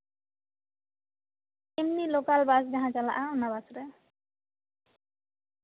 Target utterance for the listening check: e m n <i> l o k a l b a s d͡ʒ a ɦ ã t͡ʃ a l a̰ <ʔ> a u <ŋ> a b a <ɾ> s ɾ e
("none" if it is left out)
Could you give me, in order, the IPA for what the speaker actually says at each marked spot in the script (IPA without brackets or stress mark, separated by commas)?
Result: i, ʔ, n, none